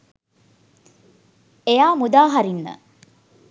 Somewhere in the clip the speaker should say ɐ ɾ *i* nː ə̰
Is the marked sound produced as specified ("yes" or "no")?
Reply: yes